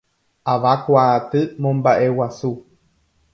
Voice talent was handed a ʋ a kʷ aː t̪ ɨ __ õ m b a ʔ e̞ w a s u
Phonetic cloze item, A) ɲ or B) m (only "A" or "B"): B